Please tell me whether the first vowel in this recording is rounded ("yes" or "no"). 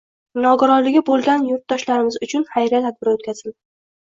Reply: yes